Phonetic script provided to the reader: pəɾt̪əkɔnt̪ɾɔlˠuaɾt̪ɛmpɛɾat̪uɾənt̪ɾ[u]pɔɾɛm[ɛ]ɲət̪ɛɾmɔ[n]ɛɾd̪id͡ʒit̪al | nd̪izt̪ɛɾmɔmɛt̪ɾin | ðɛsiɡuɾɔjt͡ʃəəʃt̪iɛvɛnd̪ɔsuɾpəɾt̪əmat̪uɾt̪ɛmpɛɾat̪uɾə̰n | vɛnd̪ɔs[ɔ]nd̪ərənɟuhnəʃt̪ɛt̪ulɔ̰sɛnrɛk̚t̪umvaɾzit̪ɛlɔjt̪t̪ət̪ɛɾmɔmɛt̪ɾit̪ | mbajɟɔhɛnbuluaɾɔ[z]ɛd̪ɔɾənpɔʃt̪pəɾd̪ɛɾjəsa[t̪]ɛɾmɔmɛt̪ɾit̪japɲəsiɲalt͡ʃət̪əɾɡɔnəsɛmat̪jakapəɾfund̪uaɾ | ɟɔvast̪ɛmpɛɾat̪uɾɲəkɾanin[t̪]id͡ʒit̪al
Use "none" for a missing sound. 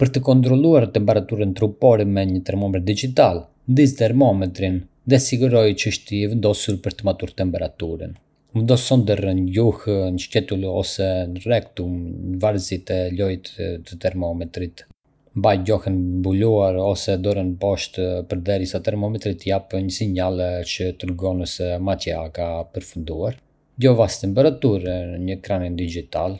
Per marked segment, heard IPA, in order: u, ɛ, m, ɔ, s, t̪, d̪

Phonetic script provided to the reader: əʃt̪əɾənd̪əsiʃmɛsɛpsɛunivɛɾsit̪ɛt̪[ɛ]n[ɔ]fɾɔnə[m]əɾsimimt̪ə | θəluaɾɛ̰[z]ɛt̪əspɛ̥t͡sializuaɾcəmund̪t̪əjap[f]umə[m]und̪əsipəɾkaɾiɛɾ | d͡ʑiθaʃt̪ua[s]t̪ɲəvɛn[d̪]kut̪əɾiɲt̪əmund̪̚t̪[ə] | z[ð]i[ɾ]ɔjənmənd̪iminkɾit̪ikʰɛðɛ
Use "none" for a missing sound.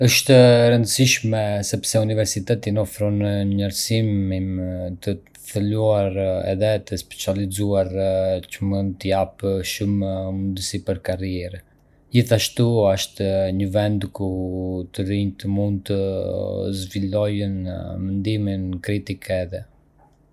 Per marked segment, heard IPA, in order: i, ɔ, ɲ, ð, ʃ, m, ʃ, d̪, ə, v, l

